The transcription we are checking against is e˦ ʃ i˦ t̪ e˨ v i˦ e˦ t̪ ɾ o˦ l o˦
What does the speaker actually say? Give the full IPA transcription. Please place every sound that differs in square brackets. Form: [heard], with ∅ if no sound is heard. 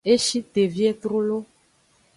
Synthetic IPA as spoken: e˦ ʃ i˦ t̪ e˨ v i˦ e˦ t̪ ɾ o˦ l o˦